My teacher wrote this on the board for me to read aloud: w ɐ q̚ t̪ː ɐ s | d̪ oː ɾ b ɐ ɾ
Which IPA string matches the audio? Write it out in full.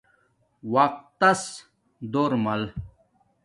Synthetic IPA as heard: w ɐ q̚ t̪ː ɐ s | d̪ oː ɾ m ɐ l